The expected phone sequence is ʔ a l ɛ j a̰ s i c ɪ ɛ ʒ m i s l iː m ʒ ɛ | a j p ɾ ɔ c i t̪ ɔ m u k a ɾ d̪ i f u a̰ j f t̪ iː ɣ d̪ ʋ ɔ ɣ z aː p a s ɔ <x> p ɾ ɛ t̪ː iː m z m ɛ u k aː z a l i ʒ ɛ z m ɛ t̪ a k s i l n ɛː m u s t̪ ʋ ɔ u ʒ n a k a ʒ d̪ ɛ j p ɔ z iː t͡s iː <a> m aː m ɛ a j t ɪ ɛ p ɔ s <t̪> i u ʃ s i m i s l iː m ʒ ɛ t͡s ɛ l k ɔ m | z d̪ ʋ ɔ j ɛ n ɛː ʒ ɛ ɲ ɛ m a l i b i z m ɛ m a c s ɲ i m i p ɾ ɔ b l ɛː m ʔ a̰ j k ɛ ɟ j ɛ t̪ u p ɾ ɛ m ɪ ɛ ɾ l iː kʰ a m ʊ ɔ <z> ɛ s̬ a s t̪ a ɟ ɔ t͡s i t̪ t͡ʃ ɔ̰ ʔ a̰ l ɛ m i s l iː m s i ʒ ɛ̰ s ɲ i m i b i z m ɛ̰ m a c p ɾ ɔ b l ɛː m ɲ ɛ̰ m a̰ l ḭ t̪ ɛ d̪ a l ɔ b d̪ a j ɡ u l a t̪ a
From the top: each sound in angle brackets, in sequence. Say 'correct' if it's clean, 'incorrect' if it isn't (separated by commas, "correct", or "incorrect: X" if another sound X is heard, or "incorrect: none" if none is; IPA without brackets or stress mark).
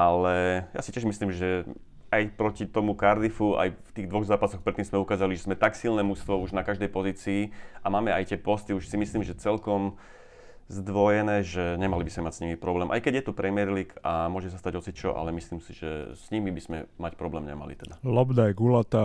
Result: correct, correct, correct, incorrect: ʒ